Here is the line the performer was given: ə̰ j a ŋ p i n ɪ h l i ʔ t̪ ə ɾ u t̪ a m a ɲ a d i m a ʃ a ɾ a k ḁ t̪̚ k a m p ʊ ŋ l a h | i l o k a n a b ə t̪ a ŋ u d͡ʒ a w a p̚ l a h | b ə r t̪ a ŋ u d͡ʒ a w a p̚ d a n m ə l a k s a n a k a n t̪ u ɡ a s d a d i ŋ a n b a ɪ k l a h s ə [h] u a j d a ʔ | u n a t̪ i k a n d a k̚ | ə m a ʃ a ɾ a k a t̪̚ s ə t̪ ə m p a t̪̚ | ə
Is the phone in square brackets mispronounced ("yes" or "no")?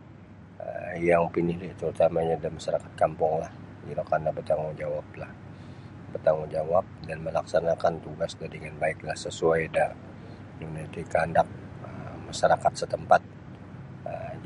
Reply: yes